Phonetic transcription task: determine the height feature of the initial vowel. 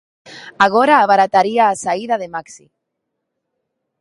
low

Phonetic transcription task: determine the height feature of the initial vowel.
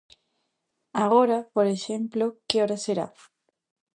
low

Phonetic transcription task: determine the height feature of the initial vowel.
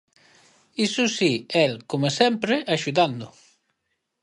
high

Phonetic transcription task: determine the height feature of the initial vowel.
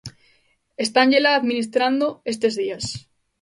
mid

